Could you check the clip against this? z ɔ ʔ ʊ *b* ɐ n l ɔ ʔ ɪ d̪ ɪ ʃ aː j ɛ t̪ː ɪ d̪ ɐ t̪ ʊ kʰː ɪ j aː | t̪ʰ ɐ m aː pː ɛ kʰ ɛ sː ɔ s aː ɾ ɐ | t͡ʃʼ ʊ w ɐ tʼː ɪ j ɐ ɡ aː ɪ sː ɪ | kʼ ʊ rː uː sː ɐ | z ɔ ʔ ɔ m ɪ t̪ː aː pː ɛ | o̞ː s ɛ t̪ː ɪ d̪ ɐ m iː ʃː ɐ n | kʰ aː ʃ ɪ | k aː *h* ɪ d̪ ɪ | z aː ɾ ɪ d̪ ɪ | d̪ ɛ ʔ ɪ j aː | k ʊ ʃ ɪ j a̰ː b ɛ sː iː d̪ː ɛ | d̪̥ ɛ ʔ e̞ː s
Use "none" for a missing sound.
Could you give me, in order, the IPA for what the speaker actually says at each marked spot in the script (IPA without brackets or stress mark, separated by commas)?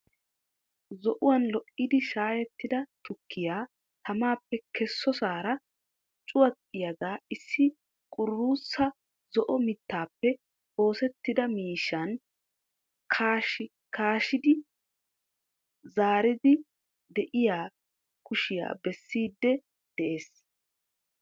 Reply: w, ʃ